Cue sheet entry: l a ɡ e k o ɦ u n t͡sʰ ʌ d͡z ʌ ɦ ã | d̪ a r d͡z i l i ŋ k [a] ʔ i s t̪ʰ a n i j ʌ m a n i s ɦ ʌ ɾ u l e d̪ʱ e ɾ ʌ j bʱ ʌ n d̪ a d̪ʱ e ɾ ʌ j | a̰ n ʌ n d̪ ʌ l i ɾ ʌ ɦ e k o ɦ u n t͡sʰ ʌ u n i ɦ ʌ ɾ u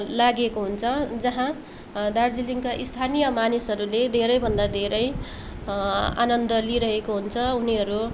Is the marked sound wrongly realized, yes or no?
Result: no